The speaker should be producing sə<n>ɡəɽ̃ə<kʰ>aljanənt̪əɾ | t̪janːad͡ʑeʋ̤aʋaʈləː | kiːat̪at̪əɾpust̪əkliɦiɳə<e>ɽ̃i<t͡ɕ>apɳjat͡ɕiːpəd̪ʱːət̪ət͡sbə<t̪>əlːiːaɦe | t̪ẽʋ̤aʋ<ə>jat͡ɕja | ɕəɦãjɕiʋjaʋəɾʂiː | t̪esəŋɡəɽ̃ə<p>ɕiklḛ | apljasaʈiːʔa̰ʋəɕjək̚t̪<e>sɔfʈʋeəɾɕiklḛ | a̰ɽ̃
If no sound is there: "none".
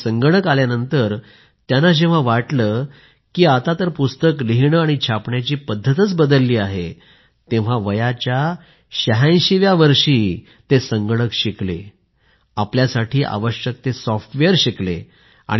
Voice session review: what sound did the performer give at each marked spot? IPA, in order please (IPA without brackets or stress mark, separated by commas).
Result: ŋ, k, a, t͡ɕʰ, d̪, ə, k, e